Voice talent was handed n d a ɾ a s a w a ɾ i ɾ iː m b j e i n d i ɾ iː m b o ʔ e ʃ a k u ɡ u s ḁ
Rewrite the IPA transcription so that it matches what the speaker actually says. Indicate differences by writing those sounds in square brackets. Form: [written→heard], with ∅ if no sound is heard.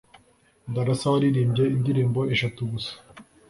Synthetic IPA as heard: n d a ɾ a s a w a ɾ i ɾ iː m b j e i n d i ɾ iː m b o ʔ e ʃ a [k→t] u ɡ u s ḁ